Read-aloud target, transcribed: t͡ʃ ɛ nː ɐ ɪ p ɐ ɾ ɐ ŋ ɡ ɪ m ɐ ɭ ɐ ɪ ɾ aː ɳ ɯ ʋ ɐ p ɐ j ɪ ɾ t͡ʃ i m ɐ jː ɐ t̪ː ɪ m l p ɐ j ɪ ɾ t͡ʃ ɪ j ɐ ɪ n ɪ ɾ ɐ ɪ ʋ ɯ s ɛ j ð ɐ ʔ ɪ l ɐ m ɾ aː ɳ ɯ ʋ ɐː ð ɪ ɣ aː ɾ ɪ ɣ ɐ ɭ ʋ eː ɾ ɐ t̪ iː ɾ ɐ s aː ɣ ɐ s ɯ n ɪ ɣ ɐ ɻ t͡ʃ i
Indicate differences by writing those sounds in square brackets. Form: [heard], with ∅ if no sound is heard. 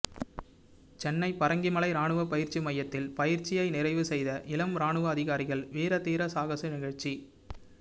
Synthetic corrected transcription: t͡ʃ ɛ nː ɐ ɪ p ɐ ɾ ɐ ŋ ɡ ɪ m ɐ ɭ ɐ ɪ ɾ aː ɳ ɯ ʋ ɐ p ɐ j ɪ ɾ t͡ʃ i m ɐ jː ɐ t̪ː ɪ [∅] l p ɐ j ɪ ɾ t͡ʃ ɪ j ɐ ɪ n ɪ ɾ ɐ ɪ ʋ ɯ s ɛ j ð ɐ ʔ ɪ l ɐ m ɾ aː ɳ ɯ ʋ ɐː ð ɪ ɣ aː ɾ ɪ ɣ ɐ ɭ ʋ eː ɾ ɐ t̪ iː ɾ ɐ s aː ɣ ɐ s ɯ n ɪ ɣ ɐ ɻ t͡ʃ i

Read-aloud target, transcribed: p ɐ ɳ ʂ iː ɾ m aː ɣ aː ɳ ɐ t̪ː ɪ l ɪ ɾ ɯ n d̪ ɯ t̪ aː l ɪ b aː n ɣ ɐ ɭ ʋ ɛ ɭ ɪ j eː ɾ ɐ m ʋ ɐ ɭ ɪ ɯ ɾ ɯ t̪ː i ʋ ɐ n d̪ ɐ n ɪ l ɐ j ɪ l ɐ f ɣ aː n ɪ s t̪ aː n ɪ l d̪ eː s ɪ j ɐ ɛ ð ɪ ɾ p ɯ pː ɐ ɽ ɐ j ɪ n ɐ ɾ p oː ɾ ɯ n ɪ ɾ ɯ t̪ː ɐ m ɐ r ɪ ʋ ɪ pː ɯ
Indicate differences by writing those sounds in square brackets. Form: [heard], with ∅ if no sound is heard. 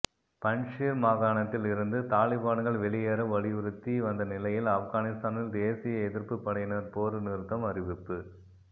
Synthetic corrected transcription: p ɐ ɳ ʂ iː ɾ m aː ɣ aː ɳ ɐ t̪ː ɪ l ɪ ɾ ɯ n d̪ ɯ t̪ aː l ɪ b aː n ɣ ɐ ɭ ʋ ɛ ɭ ɪ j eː ɾ ɐ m ʋ ɐ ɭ ɪ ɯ ɾ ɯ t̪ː i ʋ ɐ n d̪ ɐ n ɪ l ɐ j ɪ l ɐ f ɣ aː n ɪ s t̪ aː n ɪ l d̪ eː s ɪ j ɐ ɛ ð ɪ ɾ p ɯ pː ɐ ɽ ɐ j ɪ n ɐ ɾ p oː ɾ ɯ n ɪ ɾ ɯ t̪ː ɐ m ɐ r ɪ ʋ ɪ pː ɯ

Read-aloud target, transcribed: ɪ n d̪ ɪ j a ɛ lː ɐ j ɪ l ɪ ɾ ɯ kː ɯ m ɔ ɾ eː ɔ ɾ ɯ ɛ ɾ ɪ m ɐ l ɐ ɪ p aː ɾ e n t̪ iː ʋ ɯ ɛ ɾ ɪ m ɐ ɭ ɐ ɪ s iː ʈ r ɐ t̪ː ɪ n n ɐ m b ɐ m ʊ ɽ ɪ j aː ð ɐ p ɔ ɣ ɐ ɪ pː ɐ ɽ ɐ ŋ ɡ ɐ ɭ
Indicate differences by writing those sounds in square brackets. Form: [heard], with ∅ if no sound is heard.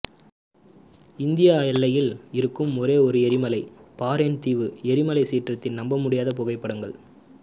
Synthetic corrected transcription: ɪ n d̪ ɪ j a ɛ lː ɐ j ɪ l ɪ ɾ ɯ kː ɯ m ɔ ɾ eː ɔ ɾ ɯ ɛ ɾ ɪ m ɐ l ɐ ɪ p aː ɾ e n t̪ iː ʋ ɯ ɛ ɾ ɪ m ɐ [l] ɐ ɪ s iː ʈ r ɐ t̪ː ɪ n n ɐ m b ɐ m ʊ ɽ ɪ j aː ð ɐ p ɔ ɣ ɐ ɪ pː ɐ ɽ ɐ ŋ ɡ ɐ ɭ

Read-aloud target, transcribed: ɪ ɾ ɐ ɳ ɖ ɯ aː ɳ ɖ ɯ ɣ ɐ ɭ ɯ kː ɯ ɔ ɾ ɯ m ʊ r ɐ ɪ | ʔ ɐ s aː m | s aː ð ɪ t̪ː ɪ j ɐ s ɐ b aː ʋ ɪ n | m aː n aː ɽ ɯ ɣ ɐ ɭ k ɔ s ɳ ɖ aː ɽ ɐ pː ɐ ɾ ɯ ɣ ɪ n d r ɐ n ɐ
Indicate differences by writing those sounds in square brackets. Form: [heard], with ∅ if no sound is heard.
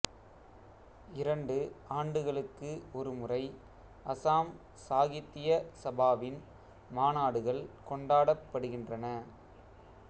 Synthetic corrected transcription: ɪ ɾ ɐ ɳ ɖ ɯ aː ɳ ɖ ɯ ɣ ɐ ɭ ɯ kː ɯ ɔ ɾ ɯ m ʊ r ɐ ɪ | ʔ ɐ s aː m | s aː [ɣ] ɪ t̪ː ɪ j ɐ s ɐ b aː ʋ ɪ n | m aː n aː ɽ ɯ ɣ ɐ ɭ k ɔ [∅] ɳ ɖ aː ɽ ɐ pː ɐ [ɽ] ɯ ɣ ɪ n d r ɐ n ɐ

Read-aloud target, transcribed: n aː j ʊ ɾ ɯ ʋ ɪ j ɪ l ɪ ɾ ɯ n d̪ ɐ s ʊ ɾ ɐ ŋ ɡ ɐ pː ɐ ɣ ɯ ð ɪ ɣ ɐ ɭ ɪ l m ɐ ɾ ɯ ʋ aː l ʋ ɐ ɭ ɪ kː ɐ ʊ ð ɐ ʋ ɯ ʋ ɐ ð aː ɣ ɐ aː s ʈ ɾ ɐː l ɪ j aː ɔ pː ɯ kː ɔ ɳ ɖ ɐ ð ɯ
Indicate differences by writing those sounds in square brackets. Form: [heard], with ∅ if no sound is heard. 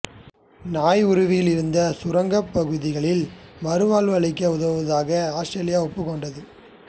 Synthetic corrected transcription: n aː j ʊ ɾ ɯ ʋ ɪ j ɪ l ɪ ɾ ɯ n d̪ ɐ s ʊ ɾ ɐ ŋ ɡ ɐ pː ɐ ɣ ɯ ð ɪ ɣ ɐ ɭ ɪ l m ɐ ɾ ɯ ʋ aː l ʋ ɐ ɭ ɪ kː ɐ ʊ ð ɐ ʋ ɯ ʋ ɐ ð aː ɣ ɐ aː s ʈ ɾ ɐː l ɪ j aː ɔ pː ɯ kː ɔ ɳ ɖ ɐ ð ɯ

